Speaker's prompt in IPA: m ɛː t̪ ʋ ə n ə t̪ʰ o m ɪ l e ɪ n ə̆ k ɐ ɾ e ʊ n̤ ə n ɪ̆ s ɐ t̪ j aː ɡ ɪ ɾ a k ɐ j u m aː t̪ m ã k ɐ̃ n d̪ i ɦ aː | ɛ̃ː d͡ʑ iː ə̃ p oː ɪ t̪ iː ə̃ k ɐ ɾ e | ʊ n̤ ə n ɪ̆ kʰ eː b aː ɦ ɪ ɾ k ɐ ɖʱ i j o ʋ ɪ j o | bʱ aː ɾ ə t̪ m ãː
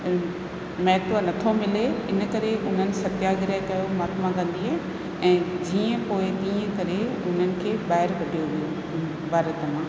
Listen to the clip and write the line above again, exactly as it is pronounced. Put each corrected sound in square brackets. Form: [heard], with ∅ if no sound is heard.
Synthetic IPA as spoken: m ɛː t̪ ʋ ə n [ɐ] t̪ʰ o m ɪ l e ɪ n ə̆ k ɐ ɾ e ʊ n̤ ə n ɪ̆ s ɐ t̪ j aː ɡ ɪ ɾ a k ɐ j [o] m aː t̪ m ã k ɐ̃ n d̪ i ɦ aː | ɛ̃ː d͡ʑ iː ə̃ p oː ɪ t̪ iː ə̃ k ɐ ɾ e | ʊ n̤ ə n ɪ̆ kʰ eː b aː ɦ ɪ ɾ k ɐ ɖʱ i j o ʋ [i] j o | bʱ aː ɾ ə t̪ m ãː